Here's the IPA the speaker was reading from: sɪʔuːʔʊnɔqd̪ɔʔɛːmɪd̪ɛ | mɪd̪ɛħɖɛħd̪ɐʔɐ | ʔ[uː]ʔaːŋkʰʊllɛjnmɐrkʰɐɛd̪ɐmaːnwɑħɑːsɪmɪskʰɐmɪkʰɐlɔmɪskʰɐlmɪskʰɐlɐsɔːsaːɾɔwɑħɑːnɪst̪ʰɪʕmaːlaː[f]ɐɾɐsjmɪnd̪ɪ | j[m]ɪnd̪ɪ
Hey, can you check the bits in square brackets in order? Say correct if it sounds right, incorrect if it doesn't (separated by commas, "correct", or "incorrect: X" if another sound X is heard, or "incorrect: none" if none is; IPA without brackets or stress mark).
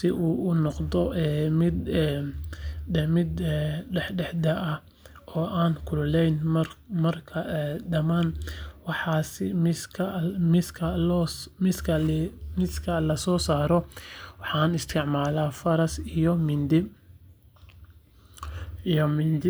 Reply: incorrect: ɔː, correct, correct